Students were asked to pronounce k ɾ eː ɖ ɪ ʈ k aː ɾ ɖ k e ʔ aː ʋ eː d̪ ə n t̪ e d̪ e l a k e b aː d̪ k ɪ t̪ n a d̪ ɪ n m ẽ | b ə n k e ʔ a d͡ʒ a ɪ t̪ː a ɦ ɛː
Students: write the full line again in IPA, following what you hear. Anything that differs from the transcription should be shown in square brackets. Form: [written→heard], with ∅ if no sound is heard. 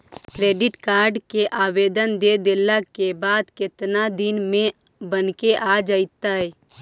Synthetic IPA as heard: k ɾ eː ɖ ɪ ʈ k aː ɾ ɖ k e ʔ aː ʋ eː d̪ ə n [t̪→d̪] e d̪ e l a k e b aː d̪ k ɪ t̪ n a d̪ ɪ n m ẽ | b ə n k e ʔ a d͡ʒ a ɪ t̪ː a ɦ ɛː